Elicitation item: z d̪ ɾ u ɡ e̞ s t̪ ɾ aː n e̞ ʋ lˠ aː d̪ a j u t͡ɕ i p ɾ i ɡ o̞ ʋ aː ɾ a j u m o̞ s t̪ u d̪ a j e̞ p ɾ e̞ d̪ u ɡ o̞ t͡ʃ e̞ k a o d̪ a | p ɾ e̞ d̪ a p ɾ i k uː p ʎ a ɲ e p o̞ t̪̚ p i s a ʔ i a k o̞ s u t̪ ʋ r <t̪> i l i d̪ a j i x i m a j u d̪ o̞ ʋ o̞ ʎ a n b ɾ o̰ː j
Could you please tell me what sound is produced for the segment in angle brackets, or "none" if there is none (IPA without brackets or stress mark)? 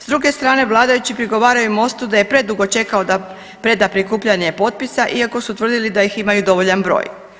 d̪